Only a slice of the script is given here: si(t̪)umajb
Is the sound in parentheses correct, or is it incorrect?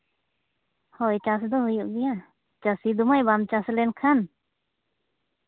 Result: incorrect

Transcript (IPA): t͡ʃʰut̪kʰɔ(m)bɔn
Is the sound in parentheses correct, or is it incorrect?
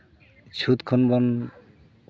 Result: incorrect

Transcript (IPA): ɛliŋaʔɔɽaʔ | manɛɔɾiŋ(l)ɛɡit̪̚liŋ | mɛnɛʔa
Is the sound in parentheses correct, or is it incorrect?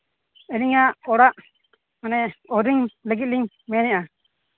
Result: correct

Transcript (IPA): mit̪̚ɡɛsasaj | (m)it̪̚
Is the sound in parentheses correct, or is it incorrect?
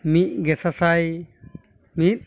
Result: correct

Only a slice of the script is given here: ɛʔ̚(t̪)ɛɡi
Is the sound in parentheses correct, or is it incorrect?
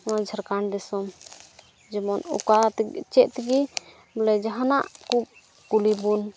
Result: correct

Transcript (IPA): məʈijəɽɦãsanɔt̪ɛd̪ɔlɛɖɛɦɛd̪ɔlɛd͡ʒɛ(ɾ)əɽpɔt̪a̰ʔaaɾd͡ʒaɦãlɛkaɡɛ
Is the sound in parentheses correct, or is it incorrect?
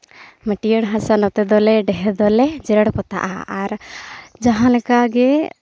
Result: correct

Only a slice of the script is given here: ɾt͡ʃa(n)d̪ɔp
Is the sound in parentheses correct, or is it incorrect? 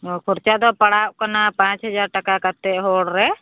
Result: incorrect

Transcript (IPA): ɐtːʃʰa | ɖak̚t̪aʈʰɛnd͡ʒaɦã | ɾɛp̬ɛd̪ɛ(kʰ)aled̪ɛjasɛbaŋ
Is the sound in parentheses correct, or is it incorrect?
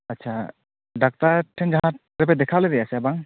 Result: correct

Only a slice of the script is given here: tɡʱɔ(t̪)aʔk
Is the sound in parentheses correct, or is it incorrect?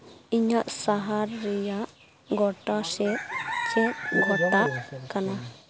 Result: correct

